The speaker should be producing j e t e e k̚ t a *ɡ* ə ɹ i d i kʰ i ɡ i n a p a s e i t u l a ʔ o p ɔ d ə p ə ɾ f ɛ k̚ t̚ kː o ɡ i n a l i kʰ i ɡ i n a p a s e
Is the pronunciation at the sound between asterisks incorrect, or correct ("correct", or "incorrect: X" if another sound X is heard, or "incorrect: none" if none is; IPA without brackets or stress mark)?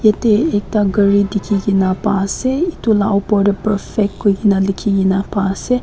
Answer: correct